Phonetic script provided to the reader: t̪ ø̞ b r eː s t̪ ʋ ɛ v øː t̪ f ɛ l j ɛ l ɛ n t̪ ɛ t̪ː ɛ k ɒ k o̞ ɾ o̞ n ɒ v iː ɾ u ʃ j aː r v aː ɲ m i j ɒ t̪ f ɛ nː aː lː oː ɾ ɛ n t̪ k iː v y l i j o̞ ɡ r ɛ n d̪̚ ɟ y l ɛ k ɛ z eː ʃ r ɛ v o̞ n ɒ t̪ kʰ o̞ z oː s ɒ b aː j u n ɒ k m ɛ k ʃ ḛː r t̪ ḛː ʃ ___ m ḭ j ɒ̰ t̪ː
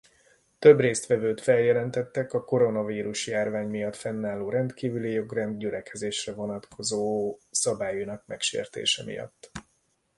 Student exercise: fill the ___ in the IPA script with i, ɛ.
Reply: ɛ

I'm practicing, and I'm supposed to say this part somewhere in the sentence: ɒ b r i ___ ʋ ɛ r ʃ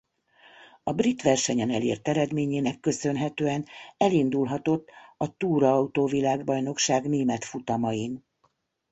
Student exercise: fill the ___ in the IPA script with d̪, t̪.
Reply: t̪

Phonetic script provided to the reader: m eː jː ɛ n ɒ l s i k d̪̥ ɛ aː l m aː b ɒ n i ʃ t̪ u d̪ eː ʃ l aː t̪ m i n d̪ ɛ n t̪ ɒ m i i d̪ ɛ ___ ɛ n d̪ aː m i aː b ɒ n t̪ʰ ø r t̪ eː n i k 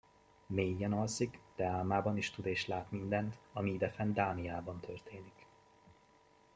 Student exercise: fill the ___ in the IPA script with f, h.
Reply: f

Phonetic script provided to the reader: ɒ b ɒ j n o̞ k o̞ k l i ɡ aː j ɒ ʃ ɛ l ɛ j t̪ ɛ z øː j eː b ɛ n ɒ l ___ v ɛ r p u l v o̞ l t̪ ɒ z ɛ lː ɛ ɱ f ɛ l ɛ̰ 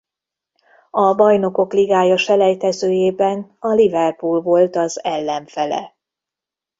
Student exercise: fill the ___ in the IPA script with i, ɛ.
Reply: i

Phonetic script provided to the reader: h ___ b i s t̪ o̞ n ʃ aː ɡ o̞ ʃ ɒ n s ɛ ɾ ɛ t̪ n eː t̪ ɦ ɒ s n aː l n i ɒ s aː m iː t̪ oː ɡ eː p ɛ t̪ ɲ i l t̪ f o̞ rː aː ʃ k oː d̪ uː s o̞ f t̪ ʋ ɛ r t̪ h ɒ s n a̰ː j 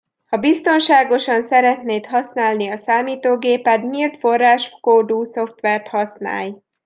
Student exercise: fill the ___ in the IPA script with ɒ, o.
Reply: ɒ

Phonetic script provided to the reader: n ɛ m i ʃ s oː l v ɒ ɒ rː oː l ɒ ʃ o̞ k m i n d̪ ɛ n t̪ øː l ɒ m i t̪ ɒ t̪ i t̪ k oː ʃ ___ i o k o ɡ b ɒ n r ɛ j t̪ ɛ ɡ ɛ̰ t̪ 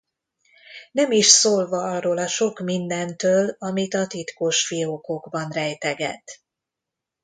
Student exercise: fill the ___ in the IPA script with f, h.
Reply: f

